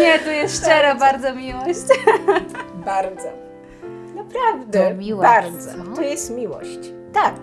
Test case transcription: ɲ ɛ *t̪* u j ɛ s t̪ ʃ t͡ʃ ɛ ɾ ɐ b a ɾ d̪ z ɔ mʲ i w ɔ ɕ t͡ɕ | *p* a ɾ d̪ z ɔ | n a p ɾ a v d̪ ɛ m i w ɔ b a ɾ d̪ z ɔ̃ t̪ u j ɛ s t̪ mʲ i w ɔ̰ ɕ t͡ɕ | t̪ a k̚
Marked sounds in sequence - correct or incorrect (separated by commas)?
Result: correct, incorrect